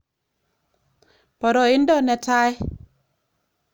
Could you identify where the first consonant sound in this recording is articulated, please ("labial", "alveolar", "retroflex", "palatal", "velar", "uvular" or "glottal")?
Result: labial